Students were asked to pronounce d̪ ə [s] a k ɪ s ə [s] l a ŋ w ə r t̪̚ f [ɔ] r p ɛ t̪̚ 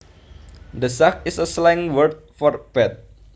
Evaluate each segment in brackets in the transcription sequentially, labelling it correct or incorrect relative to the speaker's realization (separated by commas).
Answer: correct, correct, correct